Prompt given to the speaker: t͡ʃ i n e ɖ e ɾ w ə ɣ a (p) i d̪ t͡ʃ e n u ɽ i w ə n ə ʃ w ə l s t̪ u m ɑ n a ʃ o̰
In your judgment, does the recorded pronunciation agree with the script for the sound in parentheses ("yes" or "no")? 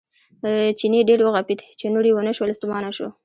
yes